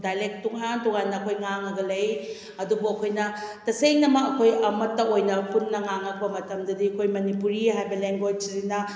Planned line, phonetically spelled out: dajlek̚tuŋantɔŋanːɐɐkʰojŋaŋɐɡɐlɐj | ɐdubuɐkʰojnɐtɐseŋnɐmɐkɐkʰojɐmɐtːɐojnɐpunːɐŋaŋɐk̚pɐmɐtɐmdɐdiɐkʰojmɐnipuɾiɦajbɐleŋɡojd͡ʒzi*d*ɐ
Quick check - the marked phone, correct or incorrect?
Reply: incorrect